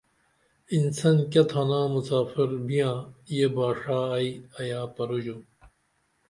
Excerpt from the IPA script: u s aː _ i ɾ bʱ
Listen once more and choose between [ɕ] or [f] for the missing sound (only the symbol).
f